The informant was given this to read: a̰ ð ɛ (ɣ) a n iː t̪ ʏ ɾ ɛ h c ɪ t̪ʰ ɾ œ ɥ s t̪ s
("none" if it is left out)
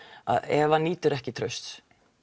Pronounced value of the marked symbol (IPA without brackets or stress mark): v